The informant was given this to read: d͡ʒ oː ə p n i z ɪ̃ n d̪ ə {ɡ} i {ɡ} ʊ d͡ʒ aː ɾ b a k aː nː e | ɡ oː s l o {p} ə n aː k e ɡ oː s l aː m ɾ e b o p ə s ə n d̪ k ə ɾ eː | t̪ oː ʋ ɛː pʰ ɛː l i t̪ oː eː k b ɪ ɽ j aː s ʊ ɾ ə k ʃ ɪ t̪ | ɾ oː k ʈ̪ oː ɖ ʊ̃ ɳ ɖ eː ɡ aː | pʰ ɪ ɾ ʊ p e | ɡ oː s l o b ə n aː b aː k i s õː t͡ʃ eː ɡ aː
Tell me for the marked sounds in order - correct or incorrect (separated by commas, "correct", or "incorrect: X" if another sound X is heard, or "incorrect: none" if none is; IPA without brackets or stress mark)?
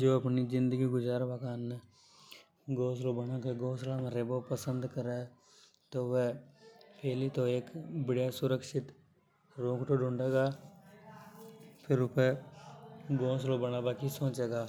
correct, correct, incorrect: b